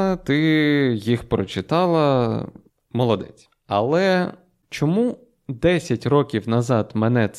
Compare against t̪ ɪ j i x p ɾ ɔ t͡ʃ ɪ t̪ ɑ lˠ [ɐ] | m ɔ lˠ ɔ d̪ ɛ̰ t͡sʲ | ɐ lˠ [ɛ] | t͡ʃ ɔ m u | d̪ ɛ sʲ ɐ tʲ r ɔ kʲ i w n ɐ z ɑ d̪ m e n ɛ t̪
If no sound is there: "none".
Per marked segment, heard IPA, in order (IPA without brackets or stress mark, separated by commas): ɐ, ɛ